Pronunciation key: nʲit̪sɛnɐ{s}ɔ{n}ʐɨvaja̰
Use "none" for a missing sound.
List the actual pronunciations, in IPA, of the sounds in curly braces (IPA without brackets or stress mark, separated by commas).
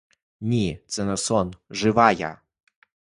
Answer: s, n